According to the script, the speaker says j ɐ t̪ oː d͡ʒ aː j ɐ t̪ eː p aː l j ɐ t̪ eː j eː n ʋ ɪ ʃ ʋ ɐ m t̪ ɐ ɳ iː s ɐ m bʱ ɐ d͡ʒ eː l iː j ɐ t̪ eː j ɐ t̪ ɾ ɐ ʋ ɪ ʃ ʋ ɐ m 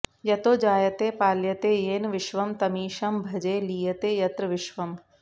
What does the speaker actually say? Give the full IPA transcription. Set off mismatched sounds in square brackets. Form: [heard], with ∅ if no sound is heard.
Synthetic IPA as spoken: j ɐ t̪ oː d͡ʒ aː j ɐ t̪ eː p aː l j ɐ t̪ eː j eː n ʋ ɪ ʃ ʋ ɐ m t̪ ɐ [m] iː [ʃ] ɐ m bʱ ɐ d͡ʒ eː l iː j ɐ t̪ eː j ɐ t̪ ɾ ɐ ʋ ɪ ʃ ʋ ɐ m